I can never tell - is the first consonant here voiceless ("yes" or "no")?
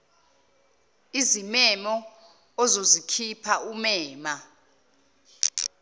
no